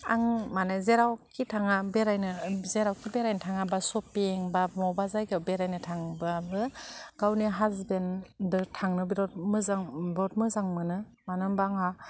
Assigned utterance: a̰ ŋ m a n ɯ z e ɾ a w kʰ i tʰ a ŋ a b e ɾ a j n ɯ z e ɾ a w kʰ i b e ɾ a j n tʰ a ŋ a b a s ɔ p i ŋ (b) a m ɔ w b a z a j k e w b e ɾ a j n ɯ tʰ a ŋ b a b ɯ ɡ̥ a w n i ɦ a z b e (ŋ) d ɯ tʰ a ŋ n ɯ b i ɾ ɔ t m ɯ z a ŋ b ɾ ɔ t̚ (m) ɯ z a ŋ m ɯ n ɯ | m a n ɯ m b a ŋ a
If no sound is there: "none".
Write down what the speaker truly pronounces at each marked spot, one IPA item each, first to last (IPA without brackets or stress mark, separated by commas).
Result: b, n, m